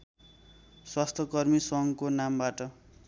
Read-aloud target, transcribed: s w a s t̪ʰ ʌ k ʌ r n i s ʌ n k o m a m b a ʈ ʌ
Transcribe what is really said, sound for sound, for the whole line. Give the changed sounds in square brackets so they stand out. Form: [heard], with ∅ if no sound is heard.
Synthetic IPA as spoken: s w a s t̪ʰ ʌ k ʌ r [m] i s ʌ [ŋ] k o [n] a m b a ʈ ʌ